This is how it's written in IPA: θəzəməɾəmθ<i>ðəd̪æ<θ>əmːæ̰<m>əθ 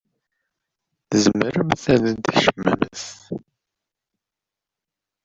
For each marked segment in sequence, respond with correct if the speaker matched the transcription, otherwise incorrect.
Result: incorrect: æ, incorrect: ʃ, correct

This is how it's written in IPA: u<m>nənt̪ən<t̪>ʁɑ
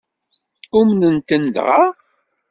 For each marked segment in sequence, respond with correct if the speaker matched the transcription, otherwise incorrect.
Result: correct, incorrect: d̪

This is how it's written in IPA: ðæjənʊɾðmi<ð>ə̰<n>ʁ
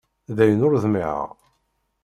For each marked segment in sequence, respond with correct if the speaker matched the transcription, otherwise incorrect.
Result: incorrect: ʕ, incorrect: none

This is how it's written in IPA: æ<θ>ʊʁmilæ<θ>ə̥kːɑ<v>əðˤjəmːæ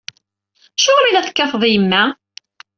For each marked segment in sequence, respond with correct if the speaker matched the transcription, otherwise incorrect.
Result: incorrect: ʃ, correct, incorrect: f

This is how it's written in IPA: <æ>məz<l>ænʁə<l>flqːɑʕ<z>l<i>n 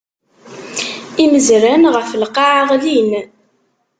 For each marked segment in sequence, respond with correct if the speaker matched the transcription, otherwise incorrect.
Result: incorrect: i, incorrect: ɾ, incorrect: none, incorrect: ʁ, correct

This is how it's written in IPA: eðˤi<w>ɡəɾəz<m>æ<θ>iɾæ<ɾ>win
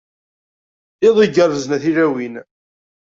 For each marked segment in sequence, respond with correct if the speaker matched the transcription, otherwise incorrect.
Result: incorrect: none, incorrect: n, correct, incorrect: none

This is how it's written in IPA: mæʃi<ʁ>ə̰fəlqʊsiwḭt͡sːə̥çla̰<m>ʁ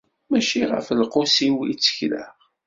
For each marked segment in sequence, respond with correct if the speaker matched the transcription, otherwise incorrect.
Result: correct, incorrect: none

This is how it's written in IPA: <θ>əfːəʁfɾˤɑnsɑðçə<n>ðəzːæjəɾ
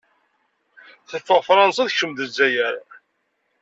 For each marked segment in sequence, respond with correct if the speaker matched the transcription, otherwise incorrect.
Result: correct, incorrect: m

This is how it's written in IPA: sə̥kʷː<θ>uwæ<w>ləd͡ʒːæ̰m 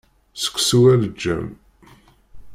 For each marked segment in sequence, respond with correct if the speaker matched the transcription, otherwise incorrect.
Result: incorrect: s, incorrect: none

